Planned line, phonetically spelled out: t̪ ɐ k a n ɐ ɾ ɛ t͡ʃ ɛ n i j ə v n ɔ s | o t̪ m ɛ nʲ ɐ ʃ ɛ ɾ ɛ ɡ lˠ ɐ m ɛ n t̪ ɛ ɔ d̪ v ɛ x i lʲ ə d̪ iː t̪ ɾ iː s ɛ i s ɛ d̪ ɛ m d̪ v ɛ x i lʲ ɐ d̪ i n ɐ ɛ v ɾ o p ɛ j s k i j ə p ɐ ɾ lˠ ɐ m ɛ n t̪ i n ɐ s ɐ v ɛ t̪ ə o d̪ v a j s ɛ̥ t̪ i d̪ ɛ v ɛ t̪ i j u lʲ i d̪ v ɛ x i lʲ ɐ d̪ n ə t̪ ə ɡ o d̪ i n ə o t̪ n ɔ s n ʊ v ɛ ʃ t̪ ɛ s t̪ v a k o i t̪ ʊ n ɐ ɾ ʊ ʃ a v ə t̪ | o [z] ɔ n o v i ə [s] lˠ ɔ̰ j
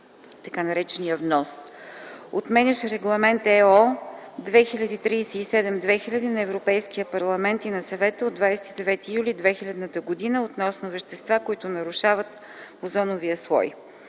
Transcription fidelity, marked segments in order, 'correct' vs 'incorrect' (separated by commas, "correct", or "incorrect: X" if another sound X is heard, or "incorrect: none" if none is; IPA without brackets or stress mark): correct, correct